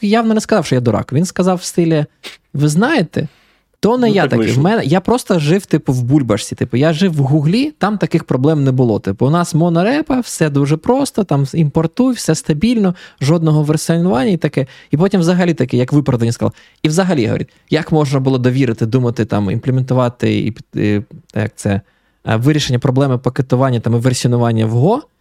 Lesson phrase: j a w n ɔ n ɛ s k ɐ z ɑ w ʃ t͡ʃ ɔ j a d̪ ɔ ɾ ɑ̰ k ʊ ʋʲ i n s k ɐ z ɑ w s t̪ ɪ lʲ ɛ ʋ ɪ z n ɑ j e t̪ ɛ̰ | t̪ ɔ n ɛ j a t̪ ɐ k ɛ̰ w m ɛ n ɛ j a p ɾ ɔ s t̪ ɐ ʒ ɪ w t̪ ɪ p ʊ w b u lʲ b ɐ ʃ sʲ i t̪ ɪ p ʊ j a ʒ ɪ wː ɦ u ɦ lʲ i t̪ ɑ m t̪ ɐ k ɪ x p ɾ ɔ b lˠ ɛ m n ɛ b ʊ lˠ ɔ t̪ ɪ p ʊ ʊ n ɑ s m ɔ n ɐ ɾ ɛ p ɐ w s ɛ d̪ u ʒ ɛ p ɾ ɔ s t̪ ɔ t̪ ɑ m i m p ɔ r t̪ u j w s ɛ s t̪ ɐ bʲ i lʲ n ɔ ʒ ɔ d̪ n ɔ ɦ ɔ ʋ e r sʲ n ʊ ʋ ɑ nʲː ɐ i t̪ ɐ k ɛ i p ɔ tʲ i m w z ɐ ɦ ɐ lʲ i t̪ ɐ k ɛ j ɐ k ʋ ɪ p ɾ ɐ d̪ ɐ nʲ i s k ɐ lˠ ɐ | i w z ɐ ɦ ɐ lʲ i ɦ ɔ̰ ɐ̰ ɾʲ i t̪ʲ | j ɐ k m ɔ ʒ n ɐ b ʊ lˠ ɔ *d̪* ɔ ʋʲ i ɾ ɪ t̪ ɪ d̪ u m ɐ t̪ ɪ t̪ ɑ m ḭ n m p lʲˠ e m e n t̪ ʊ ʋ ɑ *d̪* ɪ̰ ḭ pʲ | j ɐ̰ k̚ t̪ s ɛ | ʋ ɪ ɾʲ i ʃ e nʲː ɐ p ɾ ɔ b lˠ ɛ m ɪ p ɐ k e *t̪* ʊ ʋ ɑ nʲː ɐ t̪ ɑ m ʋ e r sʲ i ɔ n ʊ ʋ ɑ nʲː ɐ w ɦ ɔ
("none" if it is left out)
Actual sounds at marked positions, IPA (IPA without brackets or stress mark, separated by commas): d̪, t̪, t̪